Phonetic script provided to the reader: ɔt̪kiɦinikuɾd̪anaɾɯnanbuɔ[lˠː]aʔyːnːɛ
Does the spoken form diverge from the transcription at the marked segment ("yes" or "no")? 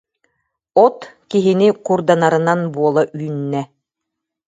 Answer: yes